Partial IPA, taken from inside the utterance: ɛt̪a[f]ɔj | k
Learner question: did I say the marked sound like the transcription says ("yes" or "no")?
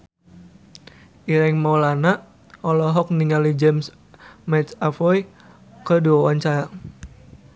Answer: yes